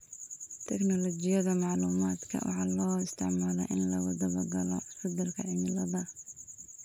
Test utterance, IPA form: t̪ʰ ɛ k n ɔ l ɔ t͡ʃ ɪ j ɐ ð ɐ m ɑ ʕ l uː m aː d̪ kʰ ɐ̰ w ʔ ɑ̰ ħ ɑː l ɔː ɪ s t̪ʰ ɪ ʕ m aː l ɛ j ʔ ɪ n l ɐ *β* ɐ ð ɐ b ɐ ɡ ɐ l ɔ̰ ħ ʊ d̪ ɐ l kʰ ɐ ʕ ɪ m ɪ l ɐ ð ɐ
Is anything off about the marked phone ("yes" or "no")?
yes